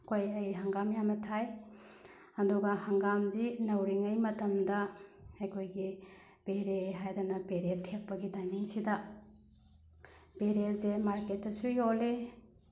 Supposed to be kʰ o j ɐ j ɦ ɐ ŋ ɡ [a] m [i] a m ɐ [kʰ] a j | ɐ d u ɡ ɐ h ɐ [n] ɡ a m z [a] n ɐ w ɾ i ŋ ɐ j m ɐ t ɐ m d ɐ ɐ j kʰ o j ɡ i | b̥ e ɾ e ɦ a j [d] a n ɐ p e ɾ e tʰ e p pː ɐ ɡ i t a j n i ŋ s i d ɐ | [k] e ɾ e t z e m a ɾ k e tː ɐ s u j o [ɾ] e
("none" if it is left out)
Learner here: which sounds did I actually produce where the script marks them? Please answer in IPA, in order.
a, j, tʰ, ŋ, i, d, p, l

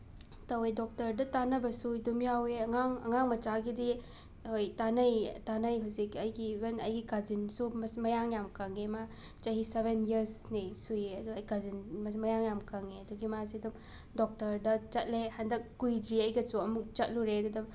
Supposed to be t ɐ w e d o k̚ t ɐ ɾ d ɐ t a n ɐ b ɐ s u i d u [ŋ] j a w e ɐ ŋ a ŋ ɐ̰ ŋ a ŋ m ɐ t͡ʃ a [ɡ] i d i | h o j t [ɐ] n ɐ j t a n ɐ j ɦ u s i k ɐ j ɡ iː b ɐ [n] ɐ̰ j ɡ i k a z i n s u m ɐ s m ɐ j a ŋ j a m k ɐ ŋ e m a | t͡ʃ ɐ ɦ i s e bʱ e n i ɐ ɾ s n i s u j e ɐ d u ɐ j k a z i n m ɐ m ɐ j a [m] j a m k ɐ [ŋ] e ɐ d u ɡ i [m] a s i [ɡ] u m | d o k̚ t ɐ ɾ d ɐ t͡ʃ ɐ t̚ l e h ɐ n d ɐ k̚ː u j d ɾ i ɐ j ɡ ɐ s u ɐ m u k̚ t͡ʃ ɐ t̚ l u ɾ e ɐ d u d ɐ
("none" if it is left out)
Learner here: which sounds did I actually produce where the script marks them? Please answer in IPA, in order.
m, ɡ, a, n, ŋ, ŋ, m, d

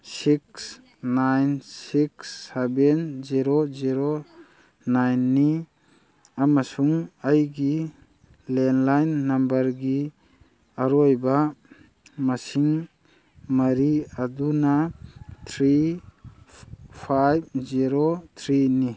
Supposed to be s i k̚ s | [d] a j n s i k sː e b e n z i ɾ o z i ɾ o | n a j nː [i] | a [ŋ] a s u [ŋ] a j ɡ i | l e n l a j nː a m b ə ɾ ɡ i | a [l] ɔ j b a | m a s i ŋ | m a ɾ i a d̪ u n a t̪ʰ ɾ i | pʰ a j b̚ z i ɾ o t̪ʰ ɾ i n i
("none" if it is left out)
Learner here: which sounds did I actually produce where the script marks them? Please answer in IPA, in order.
n, i, m, ŋ, ɾ

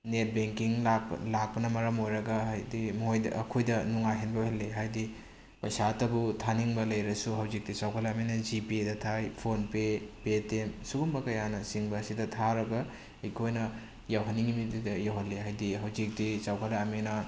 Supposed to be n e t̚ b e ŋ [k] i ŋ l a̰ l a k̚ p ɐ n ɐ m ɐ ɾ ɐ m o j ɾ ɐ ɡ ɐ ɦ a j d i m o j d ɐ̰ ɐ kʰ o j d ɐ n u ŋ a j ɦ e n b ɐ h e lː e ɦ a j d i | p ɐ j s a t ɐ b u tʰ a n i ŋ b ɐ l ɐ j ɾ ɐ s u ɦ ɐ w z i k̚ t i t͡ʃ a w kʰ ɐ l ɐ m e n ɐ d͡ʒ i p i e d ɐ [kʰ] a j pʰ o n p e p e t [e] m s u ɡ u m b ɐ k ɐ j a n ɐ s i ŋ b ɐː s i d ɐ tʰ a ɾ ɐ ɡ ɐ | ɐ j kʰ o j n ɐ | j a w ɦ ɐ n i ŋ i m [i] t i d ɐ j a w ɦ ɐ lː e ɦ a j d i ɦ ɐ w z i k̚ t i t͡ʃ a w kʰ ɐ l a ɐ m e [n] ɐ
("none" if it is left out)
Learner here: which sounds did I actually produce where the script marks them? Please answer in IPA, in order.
k, tʰ, e, i, n

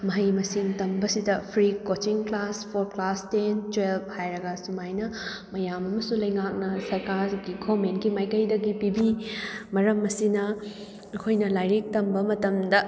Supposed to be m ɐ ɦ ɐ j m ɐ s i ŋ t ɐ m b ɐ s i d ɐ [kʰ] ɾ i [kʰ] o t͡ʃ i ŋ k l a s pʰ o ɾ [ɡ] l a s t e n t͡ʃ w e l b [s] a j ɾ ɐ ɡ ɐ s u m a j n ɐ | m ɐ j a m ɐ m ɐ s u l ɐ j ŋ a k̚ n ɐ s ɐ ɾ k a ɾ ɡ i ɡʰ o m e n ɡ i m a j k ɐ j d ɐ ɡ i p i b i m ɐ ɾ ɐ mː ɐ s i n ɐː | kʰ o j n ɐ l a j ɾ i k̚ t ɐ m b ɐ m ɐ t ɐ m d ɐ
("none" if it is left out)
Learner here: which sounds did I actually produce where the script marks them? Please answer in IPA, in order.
pʰ, k, k, h

